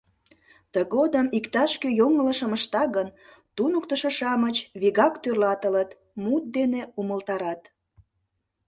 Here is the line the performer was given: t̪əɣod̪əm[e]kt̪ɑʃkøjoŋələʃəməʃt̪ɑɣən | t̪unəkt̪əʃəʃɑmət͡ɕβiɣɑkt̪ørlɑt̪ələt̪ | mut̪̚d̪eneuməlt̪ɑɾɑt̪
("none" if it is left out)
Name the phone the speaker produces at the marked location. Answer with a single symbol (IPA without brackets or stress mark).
i